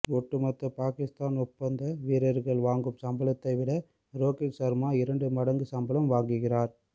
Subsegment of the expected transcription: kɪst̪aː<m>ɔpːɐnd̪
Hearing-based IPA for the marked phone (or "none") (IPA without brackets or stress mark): n